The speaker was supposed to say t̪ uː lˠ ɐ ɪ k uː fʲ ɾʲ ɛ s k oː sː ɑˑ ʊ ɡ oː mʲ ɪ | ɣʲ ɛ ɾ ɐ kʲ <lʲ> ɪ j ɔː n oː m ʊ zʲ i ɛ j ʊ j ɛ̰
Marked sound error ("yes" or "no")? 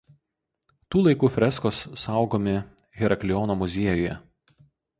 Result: no